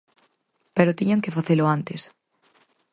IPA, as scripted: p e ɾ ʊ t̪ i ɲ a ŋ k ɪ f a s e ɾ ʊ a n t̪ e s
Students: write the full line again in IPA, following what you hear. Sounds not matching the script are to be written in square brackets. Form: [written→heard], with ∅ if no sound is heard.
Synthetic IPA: p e ɾ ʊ t̪ i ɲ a ŋ k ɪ f a [s→θ] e [ɾ→l] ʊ a n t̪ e s